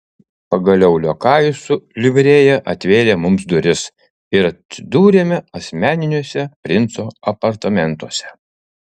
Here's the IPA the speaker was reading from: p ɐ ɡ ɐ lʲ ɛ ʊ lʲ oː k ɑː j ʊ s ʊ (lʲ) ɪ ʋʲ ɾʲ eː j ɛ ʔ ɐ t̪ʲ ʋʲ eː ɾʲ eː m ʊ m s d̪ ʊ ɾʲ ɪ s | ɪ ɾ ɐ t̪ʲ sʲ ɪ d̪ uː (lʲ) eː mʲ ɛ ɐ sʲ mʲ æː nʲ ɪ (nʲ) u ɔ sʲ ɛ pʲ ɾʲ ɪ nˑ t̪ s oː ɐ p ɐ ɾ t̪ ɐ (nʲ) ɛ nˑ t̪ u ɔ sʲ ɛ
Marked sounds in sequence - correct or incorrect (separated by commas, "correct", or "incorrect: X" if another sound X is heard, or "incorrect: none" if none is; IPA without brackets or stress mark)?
correct, incorrect: ɾʲ, correct, incorrect: mʲ